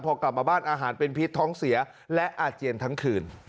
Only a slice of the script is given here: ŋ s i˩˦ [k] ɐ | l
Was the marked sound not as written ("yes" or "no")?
yes